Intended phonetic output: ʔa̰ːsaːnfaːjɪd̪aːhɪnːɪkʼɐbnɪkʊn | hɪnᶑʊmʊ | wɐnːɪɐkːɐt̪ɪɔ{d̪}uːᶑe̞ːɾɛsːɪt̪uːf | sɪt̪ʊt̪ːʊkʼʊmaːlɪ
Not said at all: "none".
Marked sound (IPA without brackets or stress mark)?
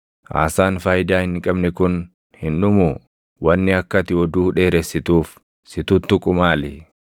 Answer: d̪